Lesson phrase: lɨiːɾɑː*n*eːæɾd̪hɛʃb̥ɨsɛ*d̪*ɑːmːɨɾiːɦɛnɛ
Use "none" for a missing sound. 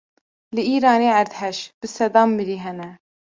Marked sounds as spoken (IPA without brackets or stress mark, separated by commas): n, d̪